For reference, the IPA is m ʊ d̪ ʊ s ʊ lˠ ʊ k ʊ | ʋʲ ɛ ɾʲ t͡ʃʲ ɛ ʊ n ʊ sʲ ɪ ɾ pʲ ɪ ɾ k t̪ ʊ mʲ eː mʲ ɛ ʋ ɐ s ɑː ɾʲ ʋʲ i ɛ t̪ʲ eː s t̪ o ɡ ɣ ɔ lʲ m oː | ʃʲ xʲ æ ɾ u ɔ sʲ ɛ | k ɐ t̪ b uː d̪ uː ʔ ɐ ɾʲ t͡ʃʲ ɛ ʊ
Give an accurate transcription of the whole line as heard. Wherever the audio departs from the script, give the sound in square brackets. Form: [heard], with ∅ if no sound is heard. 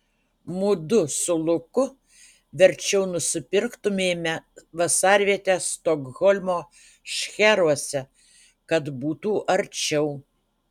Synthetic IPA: m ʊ d̪ ʊ s ʊ lˠ ʊ k ʊ | ʋʲ ɛ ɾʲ t͡ʃʲ ɛ ʊ n ʊ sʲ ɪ [∅] pʲ ɪ ɾ k t̪ ʊ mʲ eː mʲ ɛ ʋ ɐ s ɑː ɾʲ ʋʲ i ɛ t̪ʲ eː s t̪ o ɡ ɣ ɔ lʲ m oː | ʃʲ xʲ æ ɾ u ɔ sʲ ɛ | k ɐ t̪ b uː [t̪] uː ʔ ɐ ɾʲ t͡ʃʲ ɛ ʊ